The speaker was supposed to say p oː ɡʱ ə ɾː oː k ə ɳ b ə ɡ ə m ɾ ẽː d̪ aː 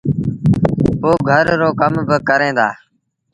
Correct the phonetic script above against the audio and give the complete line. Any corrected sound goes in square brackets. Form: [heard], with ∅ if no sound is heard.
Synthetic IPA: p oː ɡʱ ə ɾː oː k ə [m] b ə [k] ə [∅] ɾ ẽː d̪ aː